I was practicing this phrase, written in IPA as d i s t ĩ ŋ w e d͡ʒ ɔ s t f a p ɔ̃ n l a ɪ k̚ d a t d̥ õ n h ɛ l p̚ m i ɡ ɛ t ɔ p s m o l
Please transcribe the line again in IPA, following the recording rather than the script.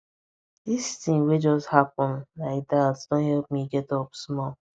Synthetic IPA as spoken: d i s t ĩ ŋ w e d͡ʒ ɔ s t h a p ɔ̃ n l a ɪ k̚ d a t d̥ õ n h ɛ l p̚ m i ɡ ɛ t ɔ p s m ɔ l